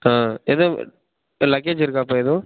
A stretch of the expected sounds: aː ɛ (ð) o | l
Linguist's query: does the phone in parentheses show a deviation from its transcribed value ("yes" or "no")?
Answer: no